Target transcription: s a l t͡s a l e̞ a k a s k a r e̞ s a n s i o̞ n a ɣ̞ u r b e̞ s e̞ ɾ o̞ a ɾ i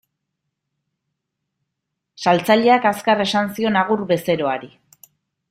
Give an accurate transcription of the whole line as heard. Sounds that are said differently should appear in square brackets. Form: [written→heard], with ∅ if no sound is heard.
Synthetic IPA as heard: s a l t͡s a [l→ʎ] e̞ a k a s k a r e̞ s a n s i o̞ n a ɣ̞ u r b e̞ s e̞ ɾ o̞ a ɾ i